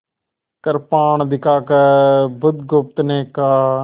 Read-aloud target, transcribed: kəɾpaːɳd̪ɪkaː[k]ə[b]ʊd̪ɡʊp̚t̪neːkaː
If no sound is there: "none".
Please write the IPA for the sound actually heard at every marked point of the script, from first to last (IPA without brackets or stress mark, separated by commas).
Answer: k, b